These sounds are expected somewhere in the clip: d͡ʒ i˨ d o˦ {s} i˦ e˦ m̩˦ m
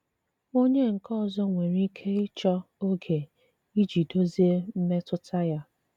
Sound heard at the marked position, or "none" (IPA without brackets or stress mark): z